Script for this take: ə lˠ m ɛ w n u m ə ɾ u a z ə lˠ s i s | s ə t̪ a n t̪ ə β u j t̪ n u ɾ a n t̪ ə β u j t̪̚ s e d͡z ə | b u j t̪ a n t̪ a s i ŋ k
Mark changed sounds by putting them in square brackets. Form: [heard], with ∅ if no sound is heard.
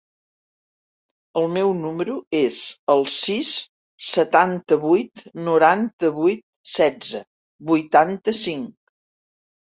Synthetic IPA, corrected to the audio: ə lˠ m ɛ w n u m ə ɾ u [e] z ə lˠ s i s | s ə t̪ a n t̪ ə β u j t̪ n u ɾ a n t̪ ə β u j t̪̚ s [ɛ] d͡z ə | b u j t̪ a n t̪ [ə] s i ŋ k